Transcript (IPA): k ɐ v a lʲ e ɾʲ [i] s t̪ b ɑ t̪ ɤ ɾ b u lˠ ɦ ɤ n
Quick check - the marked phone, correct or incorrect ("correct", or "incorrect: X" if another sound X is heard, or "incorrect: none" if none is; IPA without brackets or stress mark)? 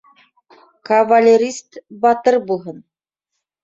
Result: correct